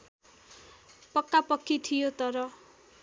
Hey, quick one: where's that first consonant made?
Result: lips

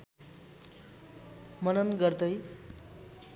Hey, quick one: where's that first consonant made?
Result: lips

